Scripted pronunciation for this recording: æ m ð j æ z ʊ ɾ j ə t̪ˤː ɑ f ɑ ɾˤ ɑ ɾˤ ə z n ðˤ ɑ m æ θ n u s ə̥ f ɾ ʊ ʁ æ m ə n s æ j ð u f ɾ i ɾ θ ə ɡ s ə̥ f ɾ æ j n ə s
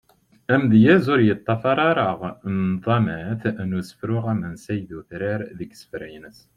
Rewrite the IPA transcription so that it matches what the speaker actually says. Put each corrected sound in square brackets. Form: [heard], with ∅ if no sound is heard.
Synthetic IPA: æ m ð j æ z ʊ ɾ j ə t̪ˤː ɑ f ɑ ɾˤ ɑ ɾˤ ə [ʁ] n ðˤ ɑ m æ θ n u s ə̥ f ɾ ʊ ʁ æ m ə n s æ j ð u [θ] ɾ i ɾ [ð] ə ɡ s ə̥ f ɾ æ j n ə s